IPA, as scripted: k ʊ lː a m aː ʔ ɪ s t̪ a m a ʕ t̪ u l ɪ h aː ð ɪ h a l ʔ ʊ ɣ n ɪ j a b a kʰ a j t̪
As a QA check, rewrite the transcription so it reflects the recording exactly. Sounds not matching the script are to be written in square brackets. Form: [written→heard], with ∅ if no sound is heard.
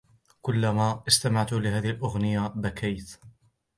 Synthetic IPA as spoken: k ʊ lː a m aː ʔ ɪ s t̪ a m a ʕ t̪ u l ɪ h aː ð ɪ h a l ʔ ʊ ɣ n ɪ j a b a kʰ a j t̪